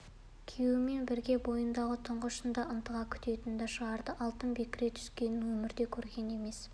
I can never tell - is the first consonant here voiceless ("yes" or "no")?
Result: yes